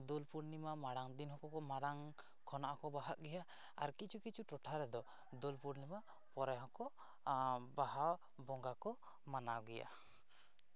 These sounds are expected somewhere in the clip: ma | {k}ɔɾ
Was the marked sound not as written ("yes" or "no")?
yes